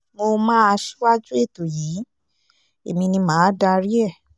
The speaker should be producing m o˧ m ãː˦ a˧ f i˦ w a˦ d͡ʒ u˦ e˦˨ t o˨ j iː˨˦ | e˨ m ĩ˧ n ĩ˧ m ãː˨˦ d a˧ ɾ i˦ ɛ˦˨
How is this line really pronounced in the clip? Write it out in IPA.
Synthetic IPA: m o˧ m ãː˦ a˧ ʃ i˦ w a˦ d͡ʒ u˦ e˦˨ t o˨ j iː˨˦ | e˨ m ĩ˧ n ĩ˧ m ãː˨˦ d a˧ ɾ i˦ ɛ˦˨